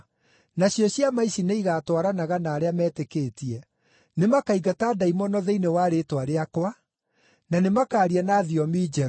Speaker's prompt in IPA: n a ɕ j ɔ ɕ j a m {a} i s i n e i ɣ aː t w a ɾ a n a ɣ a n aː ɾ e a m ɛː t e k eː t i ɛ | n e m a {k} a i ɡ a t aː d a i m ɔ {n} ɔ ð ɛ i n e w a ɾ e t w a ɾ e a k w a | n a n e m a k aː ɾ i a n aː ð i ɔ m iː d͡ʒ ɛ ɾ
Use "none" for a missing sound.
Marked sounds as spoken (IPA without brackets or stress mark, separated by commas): a, k, n